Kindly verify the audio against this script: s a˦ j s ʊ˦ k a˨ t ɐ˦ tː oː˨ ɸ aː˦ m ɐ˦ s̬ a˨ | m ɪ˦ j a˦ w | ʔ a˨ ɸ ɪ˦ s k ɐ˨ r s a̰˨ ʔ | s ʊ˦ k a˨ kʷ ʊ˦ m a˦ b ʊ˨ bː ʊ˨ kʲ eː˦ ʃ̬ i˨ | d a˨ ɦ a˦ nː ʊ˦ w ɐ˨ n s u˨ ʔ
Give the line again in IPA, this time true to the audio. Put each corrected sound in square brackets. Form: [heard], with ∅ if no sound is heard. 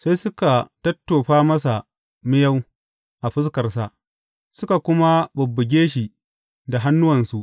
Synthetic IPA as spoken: s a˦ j s ʊ˦ k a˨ t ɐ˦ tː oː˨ ɸ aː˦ m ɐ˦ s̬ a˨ | m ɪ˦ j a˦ w | ʔ a˨ ɸ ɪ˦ s k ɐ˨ r s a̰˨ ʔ | s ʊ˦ k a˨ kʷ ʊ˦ m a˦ b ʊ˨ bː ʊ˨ [ɡʲ] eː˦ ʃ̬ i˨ | d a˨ ɦ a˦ nː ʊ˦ w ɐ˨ n s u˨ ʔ